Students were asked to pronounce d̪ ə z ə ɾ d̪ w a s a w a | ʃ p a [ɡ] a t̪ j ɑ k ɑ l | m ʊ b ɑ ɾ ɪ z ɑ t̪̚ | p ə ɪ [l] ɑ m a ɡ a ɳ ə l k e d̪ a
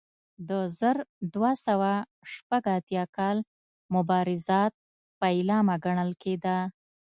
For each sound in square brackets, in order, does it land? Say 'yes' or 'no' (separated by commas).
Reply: yes, yes